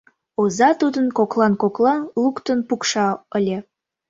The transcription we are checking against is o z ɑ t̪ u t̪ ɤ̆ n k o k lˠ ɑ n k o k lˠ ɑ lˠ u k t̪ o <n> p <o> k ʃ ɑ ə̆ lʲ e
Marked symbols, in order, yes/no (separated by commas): yes, no